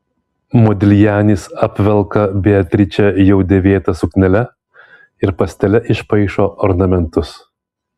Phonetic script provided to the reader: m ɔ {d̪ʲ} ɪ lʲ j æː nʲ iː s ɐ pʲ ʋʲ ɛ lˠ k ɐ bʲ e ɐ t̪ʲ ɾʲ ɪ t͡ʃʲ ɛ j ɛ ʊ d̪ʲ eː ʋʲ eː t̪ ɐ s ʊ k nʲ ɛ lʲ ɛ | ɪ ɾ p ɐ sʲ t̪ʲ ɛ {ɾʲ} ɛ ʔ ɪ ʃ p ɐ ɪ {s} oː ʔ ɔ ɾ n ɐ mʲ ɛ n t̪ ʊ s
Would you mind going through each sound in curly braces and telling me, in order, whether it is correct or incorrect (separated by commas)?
correct, incorrect, incorrect